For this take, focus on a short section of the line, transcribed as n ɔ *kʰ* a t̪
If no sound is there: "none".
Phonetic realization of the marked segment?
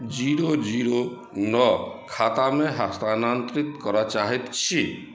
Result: kʰ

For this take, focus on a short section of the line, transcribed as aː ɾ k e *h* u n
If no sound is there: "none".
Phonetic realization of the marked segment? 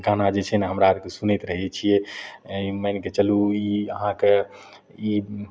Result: s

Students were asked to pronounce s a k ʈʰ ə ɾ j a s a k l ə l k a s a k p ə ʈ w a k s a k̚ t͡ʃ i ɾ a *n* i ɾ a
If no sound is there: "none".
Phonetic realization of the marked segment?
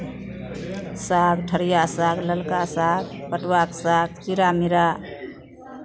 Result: m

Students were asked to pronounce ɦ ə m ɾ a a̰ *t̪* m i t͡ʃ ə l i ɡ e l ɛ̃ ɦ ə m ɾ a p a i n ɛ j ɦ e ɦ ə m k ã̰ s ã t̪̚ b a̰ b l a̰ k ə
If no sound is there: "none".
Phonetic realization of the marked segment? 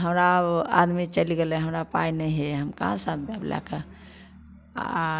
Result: d̪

